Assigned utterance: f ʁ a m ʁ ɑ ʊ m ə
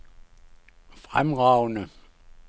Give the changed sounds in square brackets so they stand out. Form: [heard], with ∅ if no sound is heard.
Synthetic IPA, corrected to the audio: f ʁ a m ʁ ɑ ʊ [n] ə